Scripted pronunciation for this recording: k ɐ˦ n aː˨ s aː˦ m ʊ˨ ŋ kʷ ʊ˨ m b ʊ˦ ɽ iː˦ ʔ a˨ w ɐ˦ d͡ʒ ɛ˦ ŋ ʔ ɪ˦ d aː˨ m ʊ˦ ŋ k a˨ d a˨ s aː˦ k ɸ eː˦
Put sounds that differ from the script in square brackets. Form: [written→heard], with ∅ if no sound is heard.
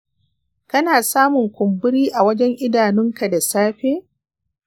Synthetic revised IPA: k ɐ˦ n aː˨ s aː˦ m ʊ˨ ŋ kʷ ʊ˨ m b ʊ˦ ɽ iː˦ ʔ a˨ w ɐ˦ d͡ʒ ɛ˦ ŋ ʔ ɪ˦ d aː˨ [m→n] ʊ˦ ŋ k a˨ d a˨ s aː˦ [k→∅] ɸ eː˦